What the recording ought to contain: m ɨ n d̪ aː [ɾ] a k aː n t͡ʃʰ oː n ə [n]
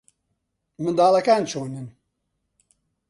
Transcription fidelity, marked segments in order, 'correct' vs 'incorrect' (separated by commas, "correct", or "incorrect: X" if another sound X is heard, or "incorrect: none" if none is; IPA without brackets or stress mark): incorrect: l, correct